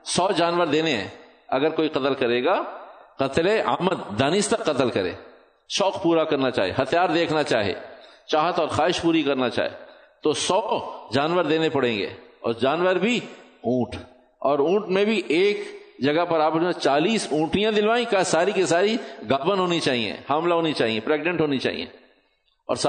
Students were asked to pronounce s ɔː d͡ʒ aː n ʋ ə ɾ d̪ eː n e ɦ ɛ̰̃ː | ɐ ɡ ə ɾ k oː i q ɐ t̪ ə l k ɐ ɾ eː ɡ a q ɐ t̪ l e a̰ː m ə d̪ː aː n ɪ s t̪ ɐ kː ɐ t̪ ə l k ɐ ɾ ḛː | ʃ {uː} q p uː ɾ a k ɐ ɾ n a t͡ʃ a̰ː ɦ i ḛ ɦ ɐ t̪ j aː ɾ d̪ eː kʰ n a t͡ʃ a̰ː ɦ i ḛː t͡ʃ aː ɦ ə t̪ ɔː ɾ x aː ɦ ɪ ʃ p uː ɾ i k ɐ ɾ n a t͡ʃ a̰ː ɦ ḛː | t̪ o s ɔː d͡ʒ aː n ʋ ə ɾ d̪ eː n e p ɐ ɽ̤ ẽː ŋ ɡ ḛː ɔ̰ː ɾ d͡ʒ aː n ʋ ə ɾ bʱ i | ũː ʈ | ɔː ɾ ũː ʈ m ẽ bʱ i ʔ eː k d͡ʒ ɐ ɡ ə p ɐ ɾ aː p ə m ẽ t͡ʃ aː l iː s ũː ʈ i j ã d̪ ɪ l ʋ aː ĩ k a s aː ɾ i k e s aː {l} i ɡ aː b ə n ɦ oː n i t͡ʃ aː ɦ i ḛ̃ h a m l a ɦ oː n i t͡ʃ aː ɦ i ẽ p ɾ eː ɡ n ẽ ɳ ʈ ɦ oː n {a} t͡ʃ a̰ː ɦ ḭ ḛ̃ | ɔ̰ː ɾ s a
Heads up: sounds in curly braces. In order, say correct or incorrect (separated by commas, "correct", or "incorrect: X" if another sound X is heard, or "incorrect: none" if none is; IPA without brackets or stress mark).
incorrect: ɔː, incorrect: ɾ, incorrect: i